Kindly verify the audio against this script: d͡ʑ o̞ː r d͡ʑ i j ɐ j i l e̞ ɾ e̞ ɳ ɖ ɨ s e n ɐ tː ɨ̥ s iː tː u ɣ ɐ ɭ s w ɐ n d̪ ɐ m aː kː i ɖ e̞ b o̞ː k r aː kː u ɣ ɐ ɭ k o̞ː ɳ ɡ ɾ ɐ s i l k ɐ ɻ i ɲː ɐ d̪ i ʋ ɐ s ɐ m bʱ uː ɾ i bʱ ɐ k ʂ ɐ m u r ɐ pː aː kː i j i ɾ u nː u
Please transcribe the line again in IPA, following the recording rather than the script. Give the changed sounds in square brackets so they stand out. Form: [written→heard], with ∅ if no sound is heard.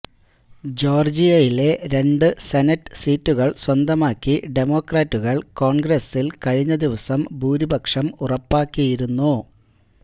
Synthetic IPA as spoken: d͡ʑ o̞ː r d͡ʑ i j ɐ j i l e̞ ɾ e̞ ɳ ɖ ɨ s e n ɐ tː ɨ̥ s iː tː u ɣ ɐ ɭ s w ɐ n d̪ ɐ m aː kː i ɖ e̞ [b→m] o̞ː k r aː [kː→tː] u ɣ ɐ ɭ k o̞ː ɳ ɡ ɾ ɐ s i l k ɐ ɻ i ɲː ɐ d̪ i ʋ ɐ s ɐ m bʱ uː ɾ i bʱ ɐ k ʂ ɐ m u r ɐ pː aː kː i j i ɾ u nː u